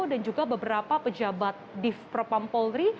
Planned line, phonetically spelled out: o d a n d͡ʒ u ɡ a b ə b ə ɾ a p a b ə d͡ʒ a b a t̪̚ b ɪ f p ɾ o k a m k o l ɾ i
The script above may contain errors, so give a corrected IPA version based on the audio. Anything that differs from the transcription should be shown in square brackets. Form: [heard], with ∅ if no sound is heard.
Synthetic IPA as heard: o d a n d͡ʒ u ɡ a b ə b ə ɾ a p a [p] ə d͡ʒ a b a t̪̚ [d] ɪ f p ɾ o [p] a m [p] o l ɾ i